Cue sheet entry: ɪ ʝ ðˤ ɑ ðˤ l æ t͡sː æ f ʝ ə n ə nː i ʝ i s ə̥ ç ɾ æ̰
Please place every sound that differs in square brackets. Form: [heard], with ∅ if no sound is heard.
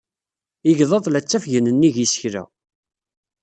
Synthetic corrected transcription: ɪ ʝ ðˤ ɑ ðˤ l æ t͡sː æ f ʝ ə n ə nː i ʝ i s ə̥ ç ɾ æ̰